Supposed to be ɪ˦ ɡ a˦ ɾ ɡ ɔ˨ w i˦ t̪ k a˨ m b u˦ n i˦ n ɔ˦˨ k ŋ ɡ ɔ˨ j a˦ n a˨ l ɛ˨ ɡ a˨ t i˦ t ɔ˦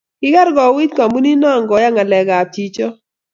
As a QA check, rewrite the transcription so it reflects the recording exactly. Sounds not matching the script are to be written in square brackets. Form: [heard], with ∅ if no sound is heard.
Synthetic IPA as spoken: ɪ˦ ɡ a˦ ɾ ɡ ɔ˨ w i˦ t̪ k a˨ m b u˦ n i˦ n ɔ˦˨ [∅] ŋ ɡ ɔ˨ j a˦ [ŋ] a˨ l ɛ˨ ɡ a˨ t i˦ [t͡ʃ] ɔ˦

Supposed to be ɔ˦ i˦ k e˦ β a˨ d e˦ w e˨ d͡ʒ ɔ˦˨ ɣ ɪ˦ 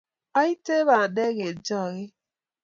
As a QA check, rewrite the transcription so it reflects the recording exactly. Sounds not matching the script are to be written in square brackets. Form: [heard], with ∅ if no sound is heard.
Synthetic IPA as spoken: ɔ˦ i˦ [t] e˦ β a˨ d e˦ [ɣ] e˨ d͡ʒ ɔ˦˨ ɣ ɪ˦

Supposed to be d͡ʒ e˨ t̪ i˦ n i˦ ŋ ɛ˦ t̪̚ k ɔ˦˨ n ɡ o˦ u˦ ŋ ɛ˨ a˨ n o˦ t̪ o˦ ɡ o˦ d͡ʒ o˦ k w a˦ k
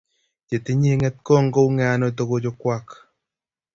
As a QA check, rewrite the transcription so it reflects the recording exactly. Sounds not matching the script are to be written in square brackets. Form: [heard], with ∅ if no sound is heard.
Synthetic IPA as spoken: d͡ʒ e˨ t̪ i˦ [ɲ] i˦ ŋ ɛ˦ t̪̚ k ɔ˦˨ [ŋ] ɡ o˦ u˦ ŋ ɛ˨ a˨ n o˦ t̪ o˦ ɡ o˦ d͡ʒ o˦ k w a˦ k

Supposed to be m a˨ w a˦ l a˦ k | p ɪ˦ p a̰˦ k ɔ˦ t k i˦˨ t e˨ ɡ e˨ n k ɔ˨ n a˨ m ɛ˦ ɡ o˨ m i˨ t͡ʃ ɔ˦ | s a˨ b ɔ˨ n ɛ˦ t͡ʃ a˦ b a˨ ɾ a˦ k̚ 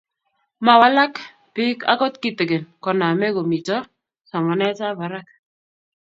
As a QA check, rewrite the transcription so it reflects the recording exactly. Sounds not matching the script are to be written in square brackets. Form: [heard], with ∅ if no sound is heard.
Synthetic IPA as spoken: m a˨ w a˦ l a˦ k | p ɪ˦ [k] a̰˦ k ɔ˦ t k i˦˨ t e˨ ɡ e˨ n k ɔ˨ n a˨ m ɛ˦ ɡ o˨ m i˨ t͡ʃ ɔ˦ | s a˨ [m] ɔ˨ n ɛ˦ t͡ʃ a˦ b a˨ ɾ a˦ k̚

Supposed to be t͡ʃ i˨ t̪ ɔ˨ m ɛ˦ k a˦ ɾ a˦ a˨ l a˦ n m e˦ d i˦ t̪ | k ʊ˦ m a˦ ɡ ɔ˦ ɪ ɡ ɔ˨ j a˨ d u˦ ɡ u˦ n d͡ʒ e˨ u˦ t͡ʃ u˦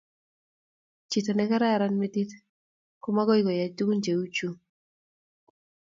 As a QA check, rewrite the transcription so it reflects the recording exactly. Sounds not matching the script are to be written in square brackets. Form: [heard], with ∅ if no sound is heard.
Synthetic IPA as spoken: t͡ʃ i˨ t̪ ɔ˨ [n] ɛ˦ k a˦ ɾ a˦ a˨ [ɾ] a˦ n m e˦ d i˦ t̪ | k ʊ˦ m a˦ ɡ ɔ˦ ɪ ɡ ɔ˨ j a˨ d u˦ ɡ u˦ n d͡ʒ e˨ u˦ t͡ʃ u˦

